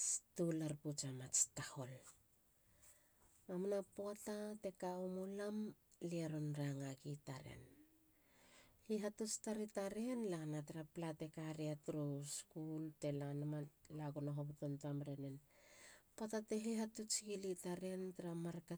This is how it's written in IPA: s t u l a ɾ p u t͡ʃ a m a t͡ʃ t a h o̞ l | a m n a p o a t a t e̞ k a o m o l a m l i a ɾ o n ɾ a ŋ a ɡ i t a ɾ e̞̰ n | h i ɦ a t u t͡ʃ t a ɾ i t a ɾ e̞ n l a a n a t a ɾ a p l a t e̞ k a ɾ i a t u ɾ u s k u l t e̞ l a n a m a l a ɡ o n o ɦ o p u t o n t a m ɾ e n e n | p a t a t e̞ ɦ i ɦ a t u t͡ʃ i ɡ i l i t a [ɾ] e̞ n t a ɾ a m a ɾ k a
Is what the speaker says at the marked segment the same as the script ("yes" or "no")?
yes